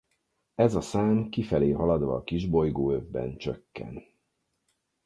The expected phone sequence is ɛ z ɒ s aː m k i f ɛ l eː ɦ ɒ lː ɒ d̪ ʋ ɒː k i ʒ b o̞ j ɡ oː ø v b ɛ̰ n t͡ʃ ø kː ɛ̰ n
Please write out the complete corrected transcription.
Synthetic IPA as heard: ɛ z ɒ s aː m k i f ɛ l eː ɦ ɒ l ɒ d̪ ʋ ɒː k i ʒ b o̞ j ɡ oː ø v b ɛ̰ n t͡ʃ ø kː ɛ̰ n